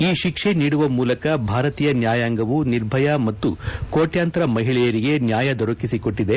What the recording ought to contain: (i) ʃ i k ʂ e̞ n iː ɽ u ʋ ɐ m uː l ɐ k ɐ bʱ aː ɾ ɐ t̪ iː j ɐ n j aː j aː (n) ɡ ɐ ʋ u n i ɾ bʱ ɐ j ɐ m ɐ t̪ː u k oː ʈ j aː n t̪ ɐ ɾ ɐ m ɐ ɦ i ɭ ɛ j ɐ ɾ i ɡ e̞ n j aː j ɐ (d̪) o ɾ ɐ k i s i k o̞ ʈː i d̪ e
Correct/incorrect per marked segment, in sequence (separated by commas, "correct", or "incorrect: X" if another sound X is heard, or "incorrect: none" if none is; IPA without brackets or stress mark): incorrect: iː, incorrect: ŋ, correct